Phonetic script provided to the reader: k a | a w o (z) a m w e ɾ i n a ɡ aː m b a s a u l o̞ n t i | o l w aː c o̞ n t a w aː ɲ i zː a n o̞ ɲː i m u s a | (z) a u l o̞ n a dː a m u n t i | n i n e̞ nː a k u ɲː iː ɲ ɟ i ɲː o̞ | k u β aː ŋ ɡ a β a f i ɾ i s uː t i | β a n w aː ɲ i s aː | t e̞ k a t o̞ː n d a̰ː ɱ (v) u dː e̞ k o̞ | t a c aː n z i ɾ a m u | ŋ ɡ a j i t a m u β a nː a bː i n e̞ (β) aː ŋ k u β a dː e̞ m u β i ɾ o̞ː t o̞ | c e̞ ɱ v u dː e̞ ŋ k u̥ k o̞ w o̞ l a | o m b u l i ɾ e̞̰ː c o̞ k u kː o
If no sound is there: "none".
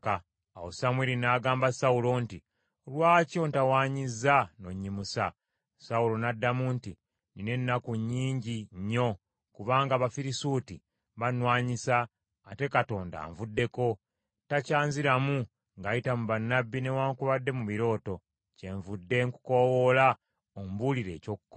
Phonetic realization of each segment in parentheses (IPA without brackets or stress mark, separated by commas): s, s, v, w